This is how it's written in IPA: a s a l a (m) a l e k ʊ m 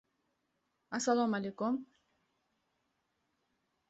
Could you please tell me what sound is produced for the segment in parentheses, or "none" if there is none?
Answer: m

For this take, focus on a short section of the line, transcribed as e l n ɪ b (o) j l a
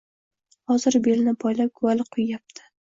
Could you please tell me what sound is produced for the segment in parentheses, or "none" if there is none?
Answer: ɒ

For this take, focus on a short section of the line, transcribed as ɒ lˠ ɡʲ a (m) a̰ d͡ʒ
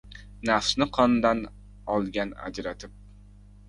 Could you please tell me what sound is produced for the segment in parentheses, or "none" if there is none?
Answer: n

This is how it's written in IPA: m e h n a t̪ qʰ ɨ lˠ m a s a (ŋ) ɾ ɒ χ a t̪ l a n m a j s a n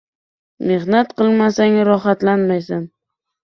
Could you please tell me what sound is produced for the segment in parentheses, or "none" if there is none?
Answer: ŋ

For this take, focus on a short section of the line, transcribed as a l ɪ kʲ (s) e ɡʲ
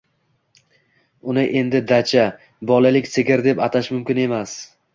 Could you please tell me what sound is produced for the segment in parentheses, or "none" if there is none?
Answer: s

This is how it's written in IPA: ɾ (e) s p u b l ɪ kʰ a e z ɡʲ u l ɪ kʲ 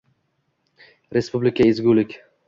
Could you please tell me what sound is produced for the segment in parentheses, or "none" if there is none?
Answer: e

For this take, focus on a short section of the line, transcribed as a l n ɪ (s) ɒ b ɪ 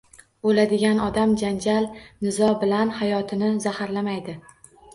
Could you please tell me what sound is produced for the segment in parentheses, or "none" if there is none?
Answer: z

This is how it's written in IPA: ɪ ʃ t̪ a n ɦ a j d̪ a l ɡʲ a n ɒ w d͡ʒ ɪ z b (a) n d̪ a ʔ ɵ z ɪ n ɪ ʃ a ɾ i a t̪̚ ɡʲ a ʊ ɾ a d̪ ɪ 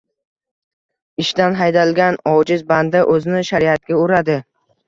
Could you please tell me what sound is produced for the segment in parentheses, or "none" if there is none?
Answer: a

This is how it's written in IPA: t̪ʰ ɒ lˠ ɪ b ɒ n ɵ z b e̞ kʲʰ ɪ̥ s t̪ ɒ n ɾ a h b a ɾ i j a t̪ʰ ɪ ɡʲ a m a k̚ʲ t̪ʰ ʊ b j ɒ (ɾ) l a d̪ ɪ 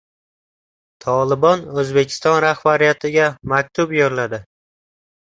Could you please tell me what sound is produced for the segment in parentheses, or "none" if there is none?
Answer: ɾ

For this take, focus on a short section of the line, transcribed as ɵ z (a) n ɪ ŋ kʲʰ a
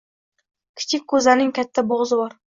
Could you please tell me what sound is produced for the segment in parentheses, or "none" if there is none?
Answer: a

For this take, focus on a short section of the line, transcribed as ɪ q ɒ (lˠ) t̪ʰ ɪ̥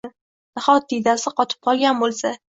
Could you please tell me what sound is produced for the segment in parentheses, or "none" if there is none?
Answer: none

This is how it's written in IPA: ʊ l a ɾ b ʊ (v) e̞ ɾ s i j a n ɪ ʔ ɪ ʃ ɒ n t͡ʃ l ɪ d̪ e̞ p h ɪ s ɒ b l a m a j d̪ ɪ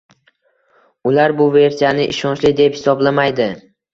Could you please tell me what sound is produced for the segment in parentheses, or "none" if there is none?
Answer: v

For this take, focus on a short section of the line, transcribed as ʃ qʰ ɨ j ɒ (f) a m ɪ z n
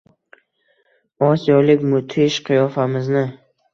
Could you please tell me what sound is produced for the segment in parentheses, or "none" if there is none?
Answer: f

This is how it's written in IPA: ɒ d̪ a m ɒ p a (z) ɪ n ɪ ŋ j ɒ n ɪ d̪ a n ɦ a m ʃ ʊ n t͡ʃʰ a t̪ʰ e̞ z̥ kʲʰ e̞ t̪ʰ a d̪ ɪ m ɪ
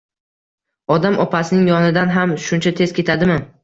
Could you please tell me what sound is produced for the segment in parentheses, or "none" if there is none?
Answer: s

